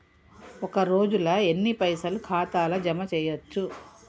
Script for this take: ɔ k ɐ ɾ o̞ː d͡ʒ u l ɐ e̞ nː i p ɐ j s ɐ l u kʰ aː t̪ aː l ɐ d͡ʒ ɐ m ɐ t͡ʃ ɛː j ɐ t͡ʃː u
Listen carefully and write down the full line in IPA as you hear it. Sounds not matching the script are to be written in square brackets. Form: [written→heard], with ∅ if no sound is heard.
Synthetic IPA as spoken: ɔ k ɐ ɾ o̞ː d͡ʒ u l ɐ e̞ nː i p ɐ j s ɐ l u kʰ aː t̪ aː l ɐ d͡ʒ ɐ m ɐ t͡ʃ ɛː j ɐ t͡ʃː u